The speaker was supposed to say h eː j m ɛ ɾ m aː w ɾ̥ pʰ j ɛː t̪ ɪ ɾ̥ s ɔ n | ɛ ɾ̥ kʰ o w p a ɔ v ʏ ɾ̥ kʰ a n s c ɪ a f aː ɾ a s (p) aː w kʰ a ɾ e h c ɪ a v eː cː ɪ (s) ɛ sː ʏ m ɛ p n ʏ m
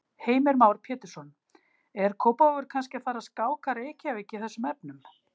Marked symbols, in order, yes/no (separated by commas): no, no